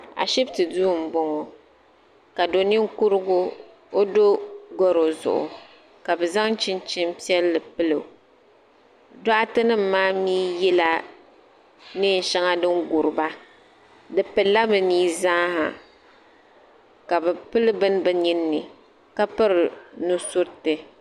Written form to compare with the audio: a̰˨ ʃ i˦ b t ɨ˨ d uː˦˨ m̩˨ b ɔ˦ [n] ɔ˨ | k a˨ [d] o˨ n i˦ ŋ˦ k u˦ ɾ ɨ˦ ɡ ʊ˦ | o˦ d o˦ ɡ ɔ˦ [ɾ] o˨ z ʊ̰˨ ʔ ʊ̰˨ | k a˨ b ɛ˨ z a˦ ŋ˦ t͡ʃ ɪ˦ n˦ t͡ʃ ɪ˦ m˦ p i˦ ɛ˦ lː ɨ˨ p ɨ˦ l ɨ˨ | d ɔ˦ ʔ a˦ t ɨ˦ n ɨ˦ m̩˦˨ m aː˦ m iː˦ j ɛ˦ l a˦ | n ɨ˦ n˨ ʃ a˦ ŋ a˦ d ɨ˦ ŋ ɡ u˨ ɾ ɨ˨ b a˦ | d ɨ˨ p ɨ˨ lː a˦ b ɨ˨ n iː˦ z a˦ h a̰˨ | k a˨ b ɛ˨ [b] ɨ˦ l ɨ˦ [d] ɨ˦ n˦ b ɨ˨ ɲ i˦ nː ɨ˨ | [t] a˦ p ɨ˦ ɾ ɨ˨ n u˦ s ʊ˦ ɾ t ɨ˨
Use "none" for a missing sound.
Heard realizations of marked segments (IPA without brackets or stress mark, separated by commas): ŋ, d, ɾ, p, b, k